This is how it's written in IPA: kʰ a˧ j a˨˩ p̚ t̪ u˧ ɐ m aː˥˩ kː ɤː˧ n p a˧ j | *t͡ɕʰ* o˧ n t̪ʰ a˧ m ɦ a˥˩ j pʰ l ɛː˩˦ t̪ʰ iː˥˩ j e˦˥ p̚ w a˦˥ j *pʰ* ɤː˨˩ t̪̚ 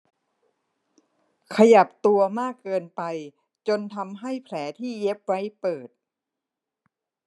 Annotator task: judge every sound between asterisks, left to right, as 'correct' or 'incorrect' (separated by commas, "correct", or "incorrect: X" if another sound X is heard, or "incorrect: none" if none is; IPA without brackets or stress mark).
incorrect: t͡ɕ, incorrect: p